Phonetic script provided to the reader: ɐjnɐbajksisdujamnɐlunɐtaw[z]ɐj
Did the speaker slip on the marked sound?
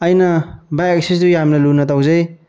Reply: no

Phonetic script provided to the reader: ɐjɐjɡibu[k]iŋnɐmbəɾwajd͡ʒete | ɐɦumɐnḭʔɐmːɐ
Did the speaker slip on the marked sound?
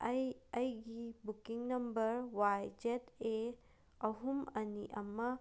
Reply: no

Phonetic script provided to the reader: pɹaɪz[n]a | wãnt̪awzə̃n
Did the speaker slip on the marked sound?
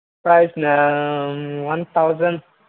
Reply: no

